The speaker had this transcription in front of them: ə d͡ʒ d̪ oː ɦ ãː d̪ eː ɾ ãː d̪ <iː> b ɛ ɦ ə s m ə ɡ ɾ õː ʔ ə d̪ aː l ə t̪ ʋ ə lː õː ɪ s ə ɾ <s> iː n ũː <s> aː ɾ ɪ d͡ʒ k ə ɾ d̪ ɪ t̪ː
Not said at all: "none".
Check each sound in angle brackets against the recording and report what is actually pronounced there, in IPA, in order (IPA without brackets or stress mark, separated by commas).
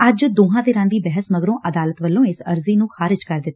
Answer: iː, z, x